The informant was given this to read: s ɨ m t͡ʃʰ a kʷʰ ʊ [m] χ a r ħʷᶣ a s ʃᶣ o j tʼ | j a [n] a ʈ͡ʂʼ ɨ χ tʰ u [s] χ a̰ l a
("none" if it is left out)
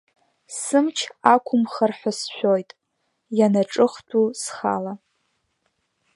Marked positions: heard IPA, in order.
m, n, s

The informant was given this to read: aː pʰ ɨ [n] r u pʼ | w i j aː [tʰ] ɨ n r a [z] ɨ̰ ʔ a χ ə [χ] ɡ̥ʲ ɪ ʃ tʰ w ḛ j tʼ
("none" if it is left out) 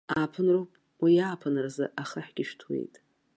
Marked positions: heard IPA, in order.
n, pʰ, z, ħ

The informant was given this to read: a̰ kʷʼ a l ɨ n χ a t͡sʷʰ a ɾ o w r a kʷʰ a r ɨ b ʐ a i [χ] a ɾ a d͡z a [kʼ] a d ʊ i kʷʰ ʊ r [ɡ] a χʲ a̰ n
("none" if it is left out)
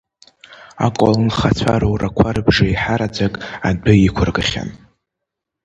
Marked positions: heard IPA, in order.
ħ, kʼ, ɡ

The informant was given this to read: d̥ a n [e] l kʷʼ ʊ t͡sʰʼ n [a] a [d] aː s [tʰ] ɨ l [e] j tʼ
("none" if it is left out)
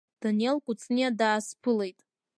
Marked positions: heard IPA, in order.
e, i, d, pʰ, e

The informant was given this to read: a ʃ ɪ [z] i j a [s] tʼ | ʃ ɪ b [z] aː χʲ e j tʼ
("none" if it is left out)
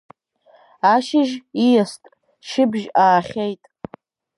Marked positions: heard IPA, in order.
ʒ, s, ʒ

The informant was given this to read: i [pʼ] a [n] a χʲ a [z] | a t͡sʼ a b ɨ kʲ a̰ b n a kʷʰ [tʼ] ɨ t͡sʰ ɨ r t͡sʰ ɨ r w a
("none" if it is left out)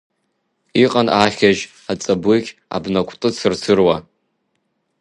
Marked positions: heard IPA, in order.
qʼ, n, ʒ, tʼ

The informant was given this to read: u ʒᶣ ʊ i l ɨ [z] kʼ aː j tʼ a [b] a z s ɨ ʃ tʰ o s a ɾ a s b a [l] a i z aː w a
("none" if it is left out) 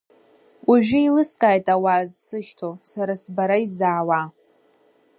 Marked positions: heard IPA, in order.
s, w, ɾ

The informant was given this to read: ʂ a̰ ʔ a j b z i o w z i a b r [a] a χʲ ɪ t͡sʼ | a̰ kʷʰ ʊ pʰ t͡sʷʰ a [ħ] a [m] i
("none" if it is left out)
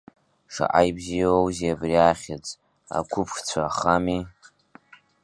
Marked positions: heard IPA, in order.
i, χ, m

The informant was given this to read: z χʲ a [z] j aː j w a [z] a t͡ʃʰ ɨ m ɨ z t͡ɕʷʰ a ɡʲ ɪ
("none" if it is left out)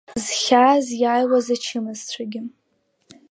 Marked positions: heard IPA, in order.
z, z

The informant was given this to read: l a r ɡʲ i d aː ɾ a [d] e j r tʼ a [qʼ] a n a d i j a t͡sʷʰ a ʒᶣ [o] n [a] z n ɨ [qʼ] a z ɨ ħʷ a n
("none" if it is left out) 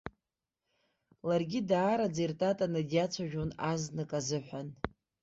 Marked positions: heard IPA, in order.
d͡z, tʼ, o, a, kʼ

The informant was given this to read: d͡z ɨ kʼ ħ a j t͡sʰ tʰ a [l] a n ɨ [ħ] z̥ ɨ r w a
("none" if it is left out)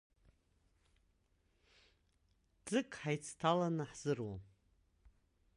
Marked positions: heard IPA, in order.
l, ħ

